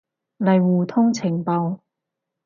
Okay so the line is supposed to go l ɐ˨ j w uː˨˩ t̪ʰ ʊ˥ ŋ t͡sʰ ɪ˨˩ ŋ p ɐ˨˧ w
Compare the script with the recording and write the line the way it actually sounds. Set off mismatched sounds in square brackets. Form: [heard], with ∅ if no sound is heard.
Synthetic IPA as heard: l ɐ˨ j w uː˨˩ t̪ʰ ʊ˥ ŋ t͡sʰ ɪ˨˩ ŋ p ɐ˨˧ w